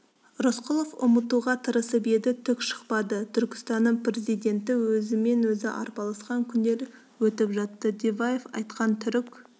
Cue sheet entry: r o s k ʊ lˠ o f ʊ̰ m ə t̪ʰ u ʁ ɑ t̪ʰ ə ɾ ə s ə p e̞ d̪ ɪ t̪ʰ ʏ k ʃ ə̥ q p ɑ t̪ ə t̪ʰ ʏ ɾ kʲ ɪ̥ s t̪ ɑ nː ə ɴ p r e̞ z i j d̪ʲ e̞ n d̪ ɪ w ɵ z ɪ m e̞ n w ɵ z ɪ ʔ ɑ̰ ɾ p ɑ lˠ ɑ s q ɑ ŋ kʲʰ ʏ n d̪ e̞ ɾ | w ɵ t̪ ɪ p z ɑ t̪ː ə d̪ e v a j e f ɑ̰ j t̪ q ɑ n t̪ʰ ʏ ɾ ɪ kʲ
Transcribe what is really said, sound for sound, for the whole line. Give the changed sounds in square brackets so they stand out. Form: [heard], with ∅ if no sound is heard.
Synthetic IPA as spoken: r o s [q] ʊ lˠ o f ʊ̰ m ə [t̪] u ʁ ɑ t̪ʰ ə ɾ ə s ə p e̞ d̪ ɪ t̪ʰ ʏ k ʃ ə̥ q p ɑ [d̪] ə t̪ʰ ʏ ɾ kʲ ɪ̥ s t̪ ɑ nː ə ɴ p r e̞ z i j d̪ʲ e̞ n [t̪] ɪ w ɵ z ɪ m e̞ n w ɵ z ɪ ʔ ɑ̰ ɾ p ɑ lˠ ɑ s q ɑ ŋ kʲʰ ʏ n d̪ e̞ ɾ | w ɵ t̪ ɪ p [ʒ] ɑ t̪ː ə d̪ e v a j e f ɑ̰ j t̪ q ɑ n t̪ʰ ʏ ɾ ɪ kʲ